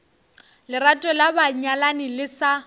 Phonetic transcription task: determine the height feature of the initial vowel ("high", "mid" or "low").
high